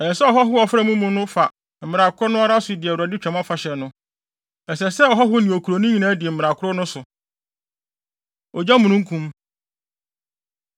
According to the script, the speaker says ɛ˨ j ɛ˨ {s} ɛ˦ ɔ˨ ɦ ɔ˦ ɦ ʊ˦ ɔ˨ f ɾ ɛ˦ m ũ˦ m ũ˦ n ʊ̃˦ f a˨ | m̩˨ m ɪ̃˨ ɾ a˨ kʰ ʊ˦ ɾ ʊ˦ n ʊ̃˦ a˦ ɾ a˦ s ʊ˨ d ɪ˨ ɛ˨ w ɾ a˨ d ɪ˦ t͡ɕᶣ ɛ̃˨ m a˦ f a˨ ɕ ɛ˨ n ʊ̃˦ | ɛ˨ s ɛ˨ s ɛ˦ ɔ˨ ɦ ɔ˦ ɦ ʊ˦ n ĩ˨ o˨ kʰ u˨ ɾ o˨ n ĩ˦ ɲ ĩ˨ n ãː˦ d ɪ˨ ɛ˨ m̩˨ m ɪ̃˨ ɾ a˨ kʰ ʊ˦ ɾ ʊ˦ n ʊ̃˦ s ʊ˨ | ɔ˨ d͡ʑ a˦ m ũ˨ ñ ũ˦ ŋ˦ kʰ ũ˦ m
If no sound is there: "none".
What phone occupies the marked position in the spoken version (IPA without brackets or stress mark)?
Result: s